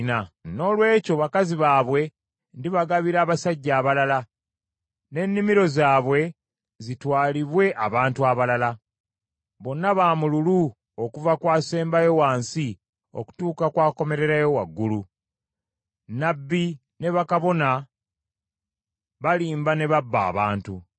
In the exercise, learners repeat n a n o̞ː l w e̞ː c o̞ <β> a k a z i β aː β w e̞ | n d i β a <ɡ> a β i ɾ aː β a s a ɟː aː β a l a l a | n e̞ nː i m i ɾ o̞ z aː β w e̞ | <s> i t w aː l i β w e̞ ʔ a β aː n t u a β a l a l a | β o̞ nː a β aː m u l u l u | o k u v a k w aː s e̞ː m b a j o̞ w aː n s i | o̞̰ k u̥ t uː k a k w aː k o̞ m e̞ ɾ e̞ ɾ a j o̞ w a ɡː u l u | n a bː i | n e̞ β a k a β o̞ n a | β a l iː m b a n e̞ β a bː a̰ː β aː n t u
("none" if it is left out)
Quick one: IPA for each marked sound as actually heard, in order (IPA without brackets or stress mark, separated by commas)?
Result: β, ɡ, z